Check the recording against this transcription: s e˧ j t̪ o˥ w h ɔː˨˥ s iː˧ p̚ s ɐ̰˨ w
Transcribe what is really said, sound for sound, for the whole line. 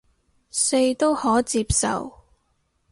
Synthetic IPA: s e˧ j t̪ o˥ w h ɔː˨˥ t͡s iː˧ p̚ s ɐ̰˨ w

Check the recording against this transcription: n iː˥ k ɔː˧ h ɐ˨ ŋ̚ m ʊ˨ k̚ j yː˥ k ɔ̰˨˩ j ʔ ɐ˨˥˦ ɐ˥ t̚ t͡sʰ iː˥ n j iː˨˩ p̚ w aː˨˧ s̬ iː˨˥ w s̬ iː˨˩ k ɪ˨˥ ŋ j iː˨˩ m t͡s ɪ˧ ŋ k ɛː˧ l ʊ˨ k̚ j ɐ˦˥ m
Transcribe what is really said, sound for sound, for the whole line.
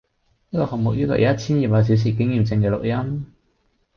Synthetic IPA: n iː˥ k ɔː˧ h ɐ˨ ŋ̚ m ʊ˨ k̚ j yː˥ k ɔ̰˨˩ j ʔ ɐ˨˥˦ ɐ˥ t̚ t͡sʰ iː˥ n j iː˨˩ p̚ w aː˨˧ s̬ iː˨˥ w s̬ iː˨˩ k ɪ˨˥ ŋ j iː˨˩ m t͡s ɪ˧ ŋ k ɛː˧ l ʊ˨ k̚ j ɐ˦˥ m

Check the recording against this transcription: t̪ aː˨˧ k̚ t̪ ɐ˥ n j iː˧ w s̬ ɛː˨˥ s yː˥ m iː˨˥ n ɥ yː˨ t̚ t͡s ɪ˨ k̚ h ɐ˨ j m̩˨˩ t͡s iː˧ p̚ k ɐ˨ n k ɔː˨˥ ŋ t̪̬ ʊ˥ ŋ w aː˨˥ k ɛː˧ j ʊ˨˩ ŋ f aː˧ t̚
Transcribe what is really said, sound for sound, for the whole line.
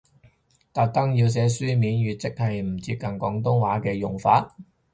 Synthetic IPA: t̪ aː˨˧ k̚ t̪ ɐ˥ ŋ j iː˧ w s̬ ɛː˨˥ s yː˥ m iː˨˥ n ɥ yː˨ t̚ t͡s ɪ˥ k̚ h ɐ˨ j m̩˨˩ t͡s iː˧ p̚ k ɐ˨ n k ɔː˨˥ ŋ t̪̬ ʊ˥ ŋ w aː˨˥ k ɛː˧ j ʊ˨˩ ŋ f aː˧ t̚

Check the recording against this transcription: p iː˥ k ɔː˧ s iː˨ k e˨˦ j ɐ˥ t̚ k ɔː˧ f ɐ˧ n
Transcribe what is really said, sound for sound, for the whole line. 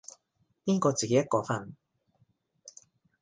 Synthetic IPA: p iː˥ k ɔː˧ t͡s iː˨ k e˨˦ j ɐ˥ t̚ k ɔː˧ f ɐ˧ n

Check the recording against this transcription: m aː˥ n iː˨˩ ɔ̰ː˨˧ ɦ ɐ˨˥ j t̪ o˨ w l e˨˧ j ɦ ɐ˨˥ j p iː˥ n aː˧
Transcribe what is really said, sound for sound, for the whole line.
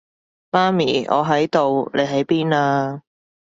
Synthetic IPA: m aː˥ m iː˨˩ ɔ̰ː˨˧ ɦ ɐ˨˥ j t̪ o˨ w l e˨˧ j ɦ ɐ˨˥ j p iː˥ n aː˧

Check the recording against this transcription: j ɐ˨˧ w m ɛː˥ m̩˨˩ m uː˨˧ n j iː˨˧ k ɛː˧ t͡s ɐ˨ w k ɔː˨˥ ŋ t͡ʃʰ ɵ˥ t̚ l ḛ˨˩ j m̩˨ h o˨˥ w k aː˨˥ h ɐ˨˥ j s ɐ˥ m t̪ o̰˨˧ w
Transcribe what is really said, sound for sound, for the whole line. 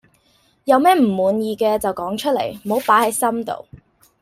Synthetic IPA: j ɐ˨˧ w m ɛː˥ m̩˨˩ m uː˨˧ n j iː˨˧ k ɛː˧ t͡s ɐ˨ w k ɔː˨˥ ŋ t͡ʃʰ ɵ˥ t̚ l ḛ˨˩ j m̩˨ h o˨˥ w p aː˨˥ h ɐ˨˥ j s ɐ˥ m t̪ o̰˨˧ w

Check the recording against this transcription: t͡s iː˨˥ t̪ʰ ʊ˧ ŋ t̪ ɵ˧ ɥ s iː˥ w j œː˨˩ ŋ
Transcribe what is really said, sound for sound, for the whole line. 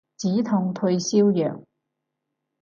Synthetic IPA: t͡s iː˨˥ t̪ʰ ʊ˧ ŋ t̪ʰ ɵ˧ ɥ s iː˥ w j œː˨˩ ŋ

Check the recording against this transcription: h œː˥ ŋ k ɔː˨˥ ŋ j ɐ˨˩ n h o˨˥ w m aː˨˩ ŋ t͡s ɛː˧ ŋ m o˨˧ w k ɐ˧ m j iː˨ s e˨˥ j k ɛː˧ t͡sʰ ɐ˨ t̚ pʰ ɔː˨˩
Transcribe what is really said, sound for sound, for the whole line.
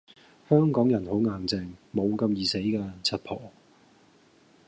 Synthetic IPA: h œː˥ ŋ k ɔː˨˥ ŋ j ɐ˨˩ n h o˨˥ w ŋ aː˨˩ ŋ t͡s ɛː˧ ŋ m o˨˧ w k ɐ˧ m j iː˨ s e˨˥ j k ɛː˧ t͡sʰ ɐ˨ t̚ pʰ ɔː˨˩

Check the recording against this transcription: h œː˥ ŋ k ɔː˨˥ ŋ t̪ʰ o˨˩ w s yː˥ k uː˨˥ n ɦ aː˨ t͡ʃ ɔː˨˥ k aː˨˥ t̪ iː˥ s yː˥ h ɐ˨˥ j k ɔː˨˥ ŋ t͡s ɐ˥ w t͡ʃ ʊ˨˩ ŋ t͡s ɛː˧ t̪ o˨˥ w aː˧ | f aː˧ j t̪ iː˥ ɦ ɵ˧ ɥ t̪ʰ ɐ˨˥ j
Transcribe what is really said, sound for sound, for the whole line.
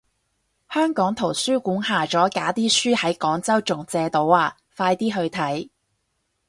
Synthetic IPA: h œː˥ ŋ k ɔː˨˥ ŋ t̪ʰ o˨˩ w s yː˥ k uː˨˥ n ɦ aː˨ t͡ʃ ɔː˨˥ k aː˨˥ t̪ iː˥ s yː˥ h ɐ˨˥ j k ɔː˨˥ ŋ t͡s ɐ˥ w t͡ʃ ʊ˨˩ ŋ t͡s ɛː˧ t̪ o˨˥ w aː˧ | f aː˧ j t̪ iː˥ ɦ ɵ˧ ɥ t̪ʰ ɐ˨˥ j

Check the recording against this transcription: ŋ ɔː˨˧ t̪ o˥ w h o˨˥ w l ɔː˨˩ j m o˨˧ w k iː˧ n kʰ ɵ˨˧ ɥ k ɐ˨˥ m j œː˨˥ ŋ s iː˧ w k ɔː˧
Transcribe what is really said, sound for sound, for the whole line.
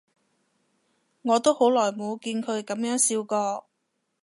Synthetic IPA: ŋ ɔː˨˧ t̪ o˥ w h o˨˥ w l ɔː˨˩ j m o˨˧ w k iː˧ n kʰ ɵ˨˧ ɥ k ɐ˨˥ m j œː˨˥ ŋ s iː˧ w k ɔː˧

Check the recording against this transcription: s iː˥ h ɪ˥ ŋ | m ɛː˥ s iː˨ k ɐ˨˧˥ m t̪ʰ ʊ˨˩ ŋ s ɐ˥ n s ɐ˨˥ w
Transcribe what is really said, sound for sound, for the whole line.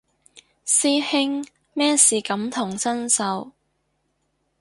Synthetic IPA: s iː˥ h ɪ˥ ŋ | m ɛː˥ s iː˨ k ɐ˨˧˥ m t̪ʰ ʊ˨˩ ŋ s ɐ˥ n s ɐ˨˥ w

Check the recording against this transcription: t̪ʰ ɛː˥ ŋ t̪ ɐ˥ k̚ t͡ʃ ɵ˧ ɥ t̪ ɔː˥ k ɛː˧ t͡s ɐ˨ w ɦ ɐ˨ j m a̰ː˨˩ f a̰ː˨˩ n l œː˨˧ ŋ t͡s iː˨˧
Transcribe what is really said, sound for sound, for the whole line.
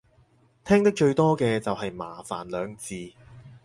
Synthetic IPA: t̪ʰ ɛː˥ ŋ t̪ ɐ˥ k̚ t͡ʃ ɵ˧ ɥ t̪ ɔː˥ k ɛː˧ t͡s ɐ˨ w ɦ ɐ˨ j m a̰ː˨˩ f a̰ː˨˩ n l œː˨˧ ŋ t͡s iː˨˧

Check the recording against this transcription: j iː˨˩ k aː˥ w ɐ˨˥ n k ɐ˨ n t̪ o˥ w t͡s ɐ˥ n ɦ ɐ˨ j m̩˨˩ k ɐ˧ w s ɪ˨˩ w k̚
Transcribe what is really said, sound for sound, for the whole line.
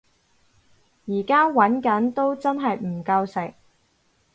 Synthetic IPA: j iː˨˩ k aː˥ w ɐ˨˥ n k ɐ˨˥ n t̪ o˥ w t͡s ɐ˥ n ɦ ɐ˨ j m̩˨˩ k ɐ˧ w s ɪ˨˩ k̚

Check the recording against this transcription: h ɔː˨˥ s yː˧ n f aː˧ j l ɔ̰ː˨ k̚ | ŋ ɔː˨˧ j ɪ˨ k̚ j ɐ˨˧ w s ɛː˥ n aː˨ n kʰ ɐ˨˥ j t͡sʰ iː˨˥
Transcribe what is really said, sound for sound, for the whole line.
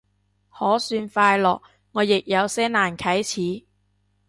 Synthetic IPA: h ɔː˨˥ s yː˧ n f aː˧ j l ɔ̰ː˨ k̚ | ŋ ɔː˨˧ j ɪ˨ k̚ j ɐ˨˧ w s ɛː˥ n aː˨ n kʰ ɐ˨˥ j t͡sʰ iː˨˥

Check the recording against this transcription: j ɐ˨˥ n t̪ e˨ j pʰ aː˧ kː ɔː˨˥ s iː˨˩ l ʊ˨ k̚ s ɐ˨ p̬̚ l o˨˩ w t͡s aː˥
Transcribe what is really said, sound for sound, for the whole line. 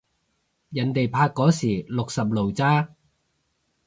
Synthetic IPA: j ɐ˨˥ n t̪ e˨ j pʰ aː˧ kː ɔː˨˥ s iː˨˩ l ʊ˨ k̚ s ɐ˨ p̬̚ l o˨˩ w t͡s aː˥

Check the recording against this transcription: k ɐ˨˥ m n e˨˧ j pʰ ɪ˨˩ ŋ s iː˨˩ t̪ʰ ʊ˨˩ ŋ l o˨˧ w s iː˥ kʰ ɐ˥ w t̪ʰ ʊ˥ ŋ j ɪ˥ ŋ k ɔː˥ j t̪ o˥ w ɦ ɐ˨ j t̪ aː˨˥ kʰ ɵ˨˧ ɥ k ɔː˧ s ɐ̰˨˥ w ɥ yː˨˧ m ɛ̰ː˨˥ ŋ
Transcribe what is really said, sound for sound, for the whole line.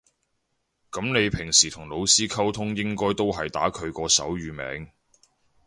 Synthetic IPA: k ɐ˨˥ m n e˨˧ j pʰ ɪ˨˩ ŋ s iː˨˩ t̪ʰ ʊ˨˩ ŋ l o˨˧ w s iː˥ kʰ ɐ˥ w t̪ʰ ʊ˥ ŋ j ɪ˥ ŋ k ɔː˥ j t̪ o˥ w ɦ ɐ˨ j t̪ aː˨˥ kʰ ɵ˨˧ ɥ k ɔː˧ s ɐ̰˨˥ w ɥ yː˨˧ m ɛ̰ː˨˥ ŋ

